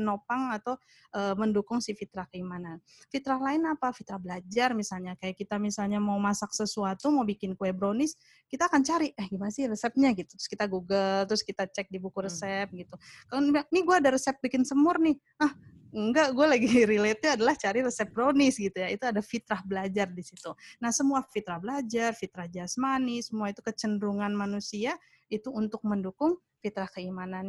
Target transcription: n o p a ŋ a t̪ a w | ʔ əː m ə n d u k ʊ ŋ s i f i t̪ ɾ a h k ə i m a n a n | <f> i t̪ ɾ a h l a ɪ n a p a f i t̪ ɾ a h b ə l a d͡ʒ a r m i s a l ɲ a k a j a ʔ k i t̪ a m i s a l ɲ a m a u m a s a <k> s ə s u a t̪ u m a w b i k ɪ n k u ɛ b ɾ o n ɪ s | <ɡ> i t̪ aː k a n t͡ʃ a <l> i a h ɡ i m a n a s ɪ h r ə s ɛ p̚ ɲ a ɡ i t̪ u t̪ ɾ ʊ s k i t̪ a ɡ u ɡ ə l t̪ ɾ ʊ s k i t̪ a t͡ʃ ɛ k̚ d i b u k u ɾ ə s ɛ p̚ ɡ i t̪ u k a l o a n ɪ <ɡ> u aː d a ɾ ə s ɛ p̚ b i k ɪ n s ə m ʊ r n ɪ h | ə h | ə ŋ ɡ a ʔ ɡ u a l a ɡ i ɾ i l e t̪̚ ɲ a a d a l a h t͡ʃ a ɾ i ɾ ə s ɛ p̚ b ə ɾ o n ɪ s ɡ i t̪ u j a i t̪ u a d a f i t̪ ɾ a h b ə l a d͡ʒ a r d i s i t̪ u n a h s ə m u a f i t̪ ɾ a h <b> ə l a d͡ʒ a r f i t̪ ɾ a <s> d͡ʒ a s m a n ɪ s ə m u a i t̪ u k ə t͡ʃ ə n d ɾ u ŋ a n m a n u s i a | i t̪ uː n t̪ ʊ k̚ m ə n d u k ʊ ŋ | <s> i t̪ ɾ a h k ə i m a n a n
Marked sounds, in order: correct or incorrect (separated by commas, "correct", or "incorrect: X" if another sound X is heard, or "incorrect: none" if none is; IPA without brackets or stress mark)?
correct, correct, incorrect: k, incorrect: ɾ, correct, correct, incorrect: h, incorrect: f